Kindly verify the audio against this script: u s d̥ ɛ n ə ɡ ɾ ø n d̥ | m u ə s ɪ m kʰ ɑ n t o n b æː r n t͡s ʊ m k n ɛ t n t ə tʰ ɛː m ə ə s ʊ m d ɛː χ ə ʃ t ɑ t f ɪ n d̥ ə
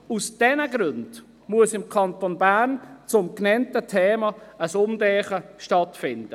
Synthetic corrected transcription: u s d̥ ɛ n ə ɡ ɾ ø n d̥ | m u ə s ɪ m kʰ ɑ n t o n b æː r n t͡s ʊ m k n ɛ n t ə tʰ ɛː m ɑ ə s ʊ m d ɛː χ ə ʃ t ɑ t f ɪ n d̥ ə